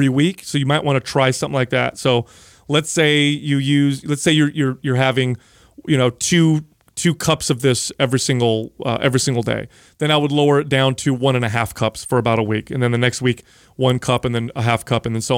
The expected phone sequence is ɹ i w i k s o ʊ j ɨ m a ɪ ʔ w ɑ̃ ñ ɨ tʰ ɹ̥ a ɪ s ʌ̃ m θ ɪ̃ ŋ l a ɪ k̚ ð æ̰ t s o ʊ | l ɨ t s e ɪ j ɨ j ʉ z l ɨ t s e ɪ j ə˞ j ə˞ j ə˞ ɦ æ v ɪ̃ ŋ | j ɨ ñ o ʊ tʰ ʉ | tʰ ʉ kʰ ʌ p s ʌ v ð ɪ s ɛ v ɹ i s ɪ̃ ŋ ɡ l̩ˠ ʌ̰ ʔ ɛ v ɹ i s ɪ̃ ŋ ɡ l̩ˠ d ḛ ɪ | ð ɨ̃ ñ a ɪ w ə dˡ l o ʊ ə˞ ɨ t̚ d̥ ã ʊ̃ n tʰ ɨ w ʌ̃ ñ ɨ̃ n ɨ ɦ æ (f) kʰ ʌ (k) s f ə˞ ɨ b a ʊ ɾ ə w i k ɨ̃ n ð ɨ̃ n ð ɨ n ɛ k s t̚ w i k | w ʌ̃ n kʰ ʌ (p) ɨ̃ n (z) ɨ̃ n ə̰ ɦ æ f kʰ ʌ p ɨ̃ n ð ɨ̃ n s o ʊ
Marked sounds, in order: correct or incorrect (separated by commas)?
correct, incorrect, correct, incorrect